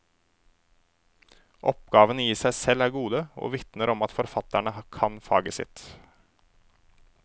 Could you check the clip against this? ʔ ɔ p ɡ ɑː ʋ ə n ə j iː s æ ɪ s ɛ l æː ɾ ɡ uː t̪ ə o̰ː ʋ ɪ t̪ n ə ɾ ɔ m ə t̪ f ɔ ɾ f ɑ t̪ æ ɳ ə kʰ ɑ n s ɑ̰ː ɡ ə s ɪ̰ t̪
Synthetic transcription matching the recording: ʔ ɔ p ɡ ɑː ʋ ə n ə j iː s æ ɪ s ɛ l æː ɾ ɡ uː d̪ ə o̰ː ʋ ɪ t̪ n ə ɾ ɔ m ɑ t̪ f ɔ ɾ f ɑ t̪ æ ɳ ə kʰ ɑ n f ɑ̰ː ɡ ə s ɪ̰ t̪